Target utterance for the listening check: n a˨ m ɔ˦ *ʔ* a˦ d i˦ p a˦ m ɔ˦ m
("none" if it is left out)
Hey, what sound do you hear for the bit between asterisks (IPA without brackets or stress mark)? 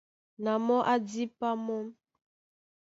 ʔ